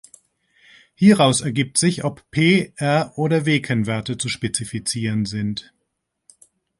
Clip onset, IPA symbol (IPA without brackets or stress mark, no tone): h